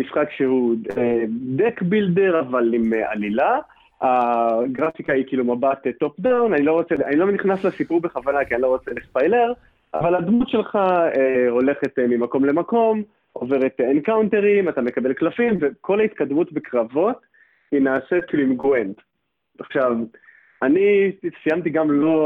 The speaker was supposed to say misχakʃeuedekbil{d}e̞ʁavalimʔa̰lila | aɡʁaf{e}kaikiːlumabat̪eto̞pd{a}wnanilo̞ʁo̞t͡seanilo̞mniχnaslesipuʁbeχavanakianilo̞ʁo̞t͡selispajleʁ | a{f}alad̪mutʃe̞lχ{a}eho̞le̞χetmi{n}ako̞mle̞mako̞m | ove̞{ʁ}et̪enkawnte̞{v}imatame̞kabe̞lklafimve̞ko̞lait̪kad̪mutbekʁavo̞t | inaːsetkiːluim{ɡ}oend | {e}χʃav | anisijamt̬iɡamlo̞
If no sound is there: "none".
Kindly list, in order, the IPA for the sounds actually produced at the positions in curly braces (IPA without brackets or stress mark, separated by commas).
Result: d, i, a, v, a, m, ʁ, ʁ, ɡ, a